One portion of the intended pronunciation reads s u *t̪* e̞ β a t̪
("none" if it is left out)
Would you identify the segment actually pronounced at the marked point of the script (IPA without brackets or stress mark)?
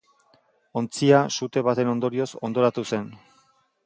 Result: t̪